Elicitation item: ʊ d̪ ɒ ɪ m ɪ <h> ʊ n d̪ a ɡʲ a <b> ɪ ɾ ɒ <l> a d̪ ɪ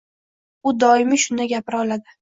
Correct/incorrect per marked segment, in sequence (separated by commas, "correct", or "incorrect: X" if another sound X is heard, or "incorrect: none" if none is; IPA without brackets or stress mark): incorrect: ʃ, incorrect: p, correct